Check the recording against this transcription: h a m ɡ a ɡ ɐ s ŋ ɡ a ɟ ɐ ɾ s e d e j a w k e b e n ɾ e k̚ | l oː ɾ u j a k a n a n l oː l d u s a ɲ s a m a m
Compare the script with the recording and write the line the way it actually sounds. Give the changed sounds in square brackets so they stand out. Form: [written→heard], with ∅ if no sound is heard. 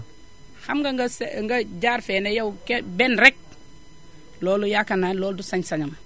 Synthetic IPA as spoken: h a m ɡ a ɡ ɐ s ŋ ɡ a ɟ [ɐ→a] ɾ [s→f] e [d→n] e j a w k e b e n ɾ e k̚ | l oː [ɾ→l] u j a k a n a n l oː l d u s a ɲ s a [m→ɲ] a m